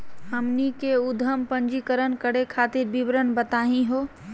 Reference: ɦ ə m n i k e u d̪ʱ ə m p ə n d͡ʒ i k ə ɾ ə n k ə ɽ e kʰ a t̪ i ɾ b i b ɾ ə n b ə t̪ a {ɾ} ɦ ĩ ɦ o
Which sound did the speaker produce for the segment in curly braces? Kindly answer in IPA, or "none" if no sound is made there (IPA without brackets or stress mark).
none